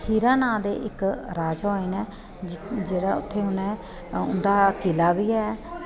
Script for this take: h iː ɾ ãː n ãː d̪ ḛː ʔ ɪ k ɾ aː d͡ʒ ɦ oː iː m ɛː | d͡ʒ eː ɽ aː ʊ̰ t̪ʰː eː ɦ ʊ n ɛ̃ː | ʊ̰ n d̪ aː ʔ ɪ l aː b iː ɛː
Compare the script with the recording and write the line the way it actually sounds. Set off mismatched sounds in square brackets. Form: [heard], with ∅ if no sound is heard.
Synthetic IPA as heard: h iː ɾ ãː n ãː d̪ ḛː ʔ ɪ k ɾ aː d͡ʒ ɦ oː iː [n] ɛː | d͡ʒ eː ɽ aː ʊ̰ t̪ʰː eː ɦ ʊ n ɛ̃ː | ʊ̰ n d̪ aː [k] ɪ l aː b iː ɛː